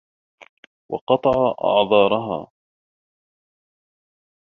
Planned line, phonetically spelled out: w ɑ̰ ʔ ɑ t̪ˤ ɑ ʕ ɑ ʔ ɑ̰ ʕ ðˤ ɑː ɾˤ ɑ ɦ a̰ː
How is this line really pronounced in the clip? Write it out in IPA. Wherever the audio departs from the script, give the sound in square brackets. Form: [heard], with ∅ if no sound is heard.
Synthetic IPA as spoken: w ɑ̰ [q] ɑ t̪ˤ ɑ ʕ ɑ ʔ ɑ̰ ʕ ðˤ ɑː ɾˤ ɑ ɦ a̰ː

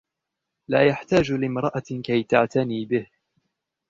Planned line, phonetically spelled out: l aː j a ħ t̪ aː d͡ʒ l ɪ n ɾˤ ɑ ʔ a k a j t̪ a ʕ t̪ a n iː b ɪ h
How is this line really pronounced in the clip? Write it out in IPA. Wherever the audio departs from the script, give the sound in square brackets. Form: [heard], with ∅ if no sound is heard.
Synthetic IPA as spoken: l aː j a ħ t̪ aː d͡ʒ l ɪ [m] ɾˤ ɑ ʔ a k a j t̪ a ʕ t̪ a n iː b ɪ h

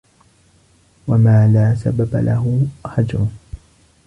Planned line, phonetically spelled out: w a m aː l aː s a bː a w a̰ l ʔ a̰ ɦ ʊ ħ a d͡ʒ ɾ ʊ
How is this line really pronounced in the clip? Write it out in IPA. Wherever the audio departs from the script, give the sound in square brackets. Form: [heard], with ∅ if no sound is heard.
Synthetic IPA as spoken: w a m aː l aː s a [b] a [b] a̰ l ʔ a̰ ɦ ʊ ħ a d͡ʒ ɾ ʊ

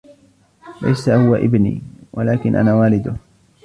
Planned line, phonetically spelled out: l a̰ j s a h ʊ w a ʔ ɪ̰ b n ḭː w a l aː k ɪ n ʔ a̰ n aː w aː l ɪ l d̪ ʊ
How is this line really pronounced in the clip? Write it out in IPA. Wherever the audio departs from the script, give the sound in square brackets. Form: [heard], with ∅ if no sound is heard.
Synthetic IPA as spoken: l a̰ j s a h ʊ w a ʔ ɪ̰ b n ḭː w a l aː k ɪ n ʔ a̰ n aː w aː l ɪ [∅] d̪ ʊ

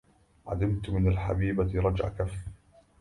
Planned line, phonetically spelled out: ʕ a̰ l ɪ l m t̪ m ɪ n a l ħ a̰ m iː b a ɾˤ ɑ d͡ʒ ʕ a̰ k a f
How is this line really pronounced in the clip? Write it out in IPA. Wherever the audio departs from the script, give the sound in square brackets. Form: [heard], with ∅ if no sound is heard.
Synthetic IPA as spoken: ʕ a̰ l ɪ [∅] m t̪ m ɪ n a l ħ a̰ [b] iː b a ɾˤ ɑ d͡ʒ ʕ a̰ k a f

